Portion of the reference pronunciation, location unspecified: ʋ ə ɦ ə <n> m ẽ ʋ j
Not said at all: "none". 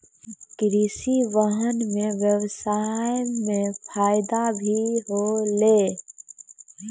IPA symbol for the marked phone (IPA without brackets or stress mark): n